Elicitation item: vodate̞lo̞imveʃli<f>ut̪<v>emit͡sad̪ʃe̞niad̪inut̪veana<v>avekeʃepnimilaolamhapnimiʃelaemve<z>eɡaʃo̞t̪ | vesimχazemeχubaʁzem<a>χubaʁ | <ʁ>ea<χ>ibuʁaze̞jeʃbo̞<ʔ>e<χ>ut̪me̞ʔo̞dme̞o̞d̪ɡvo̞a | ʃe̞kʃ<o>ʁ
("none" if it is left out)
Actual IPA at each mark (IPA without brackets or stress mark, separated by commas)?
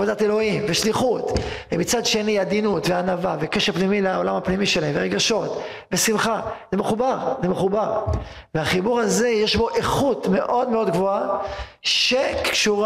χ, v, v, ʁ, e, v, χ, ʔ, χ, u